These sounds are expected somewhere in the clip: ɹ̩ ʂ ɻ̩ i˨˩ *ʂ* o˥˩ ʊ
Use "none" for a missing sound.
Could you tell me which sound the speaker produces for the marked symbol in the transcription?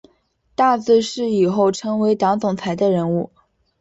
x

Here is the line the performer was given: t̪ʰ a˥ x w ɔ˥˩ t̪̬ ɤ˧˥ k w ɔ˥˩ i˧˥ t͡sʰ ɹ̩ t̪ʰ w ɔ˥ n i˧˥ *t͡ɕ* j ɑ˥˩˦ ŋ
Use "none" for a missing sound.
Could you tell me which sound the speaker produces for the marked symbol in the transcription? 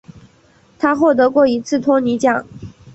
t͡ɕ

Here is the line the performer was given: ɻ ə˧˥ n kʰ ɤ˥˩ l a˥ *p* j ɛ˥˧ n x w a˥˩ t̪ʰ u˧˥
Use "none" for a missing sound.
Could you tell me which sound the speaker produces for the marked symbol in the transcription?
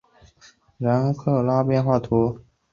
p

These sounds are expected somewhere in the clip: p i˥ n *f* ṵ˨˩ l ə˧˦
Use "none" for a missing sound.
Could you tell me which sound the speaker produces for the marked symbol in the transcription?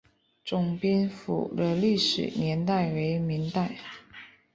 f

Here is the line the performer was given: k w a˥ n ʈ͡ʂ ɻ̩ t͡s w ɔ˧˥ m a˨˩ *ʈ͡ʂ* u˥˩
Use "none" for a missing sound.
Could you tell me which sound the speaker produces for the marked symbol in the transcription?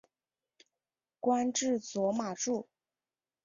ʈ͡ʂ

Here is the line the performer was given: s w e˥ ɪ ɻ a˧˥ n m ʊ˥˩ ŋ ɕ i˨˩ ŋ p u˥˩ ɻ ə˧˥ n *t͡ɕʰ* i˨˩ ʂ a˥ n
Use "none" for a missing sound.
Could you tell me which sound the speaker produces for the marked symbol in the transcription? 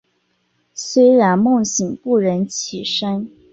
t͡ɕʰ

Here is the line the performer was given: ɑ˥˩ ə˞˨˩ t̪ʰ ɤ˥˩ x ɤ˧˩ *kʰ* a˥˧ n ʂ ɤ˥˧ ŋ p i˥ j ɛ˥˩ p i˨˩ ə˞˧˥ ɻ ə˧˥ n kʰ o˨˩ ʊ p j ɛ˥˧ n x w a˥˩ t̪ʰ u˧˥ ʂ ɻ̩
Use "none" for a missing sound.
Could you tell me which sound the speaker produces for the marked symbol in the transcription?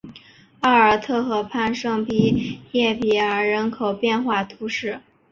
pʰ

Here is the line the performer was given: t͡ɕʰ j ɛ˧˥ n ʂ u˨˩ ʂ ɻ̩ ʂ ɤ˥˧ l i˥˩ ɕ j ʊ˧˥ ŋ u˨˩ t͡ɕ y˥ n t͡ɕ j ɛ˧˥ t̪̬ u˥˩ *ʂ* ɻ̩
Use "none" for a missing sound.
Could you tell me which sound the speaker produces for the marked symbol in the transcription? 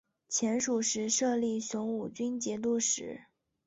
ʂ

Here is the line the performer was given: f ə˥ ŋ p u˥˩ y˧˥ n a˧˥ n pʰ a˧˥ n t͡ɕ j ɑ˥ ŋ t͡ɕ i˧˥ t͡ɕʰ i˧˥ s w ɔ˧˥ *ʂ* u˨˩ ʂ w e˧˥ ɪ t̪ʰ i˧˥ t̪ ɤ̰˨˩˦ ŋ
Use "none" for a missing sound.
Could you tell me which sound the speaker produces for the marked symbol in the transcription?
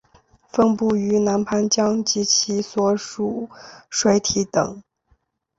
ʂ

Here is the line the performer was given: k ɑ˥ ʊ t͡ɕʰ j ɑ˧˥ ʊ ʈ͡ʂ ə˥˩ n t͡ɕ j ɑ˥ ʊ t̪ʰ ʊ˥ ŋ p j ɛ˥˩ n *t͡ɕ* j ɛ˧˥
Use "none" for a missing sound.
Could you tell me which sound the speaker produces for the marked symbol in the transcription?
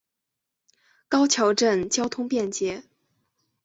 t͡ɕ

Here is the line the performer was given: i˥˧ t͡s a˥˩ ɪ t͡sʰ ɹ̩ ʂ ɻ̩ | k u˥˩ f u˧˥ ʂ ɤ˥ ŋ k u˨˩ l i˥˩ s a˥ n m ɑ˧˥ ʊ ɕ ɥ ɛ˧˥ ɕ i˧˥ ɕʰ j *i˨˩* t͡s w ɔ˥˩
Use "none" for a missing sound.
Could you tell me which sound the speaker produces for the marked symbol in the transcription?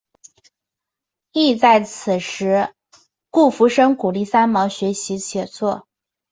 ɛ˨˩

